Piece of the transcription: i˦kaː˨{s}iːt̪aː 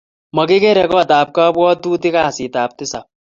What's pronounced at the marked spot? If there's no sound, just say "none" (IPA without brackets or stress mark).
s